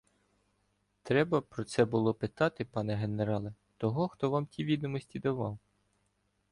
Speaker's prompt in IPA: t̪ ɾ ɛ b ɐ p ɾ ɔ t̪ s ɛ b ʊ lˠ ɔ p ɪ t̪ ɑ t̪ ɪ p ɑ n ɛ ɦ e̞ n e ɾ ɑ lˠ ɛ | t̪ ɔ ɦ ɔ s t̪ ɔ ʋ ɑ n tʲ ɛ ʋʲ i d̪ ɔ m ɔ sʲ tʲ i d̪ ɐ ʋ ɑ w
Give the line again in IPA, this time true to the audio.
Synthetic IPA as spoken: t̪ ɾ ɛ b ɐ p ɾ ɔ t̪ s ɛ b ʊ lˠ ɔ p ɪ t̪ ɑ t̪ ɪ p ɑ n ɛ ɦ e̞ n e ɾ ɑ lˠ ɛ | t̪ ɔ ɦ ɔ x t̪ ɔ ʋ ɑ m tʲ i ʋʲ i d̪ ɔ m ɔ sʲ tʲ i d̪ ɐ ʋ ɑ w